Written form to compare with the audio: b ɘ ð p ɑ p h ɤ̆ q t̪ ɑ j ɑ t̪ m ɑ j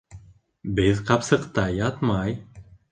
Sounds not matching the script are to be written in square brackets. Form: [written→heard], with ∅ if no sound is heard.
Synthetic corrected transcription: b ɘ ð [p→q] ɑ p [h→s] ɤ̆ q t̪ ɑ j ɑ t̪ m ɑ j